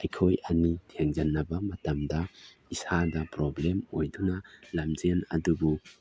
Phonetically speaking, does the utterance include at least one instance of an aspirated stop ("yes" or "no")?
yes